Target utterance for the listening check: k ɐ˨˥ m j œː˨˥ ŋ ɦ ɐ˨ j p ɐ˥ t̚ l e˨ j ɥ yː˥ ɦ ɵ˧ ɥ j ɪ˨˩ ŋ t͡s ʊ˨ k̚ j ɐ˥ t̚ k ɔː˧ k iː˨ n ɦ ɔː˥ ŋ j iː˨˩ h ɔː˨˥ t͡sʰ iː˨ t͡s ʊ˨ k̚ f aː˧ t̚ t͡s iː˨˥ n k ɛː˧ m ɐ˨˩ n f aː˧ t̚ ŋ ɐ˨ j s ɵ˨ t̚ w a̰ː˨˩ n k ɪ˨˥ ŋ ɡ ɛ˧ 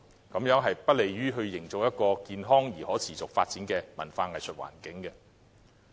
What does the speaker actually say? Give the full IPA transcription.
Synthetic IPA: k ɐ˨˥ m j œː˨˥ ŋ ɦ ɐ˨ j p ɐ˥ t̚ l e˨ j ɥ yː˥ ɦ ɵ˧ ɥ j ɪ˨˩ ŋ t͡s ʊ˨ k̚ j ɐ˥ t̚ k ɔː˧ k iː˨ n ɦ ɔː˥ ŋ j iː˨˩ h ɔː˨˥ t͡sʰ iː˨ t͡s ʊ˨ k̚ f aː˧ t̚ t͡s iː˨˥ n k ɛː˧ m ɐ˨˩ n f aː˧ ŋ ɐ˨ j s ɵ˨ t̚ w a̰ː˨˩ n k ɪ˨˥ ŋ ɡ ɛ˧